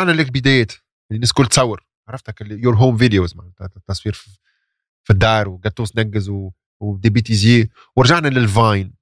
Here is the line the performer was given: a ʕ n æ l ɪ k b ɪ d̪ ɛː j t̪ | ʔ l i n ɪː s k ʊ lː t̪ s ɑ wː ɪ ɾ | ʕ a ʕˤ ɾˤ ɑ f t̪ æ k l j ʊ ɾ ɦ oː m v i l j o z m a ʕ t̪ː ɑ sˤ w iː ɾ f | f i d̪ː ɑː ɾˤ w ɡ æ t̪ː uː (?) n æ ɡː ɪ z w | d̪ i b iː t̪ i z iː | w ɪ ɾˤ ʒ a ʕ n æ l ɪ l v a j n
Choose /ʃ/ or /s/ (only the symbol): s